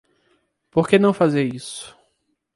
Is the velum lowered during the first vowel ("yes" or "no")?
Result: no